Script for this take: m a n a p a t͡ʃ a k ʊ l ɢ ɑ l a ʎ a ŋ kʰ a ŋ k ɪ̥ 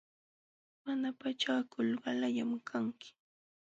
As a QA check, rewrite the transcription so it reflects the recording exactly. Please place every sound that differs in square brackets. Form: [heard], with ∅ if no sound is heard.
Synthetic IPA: m a n a p a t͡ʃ a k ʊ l ɢ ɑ l a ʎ a [m] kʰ a ŋ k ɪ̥